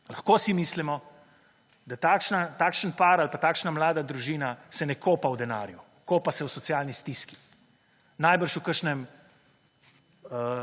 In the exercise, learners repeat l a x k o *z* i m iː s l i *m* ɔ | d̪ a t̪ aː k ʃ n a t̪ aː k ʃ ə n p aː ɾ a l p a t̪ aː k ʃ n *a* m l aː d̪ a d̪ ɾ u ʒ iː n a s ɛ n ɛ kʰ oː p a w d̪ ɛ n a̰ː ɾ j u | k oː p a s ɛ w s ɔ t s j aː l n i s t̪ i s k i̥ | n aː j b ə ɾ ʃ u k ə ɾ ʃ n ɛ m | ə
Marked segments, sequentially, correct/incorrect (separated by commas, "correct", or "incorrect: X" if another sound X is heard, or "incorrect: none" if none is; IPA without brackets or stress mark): incorrect: s, correct, correct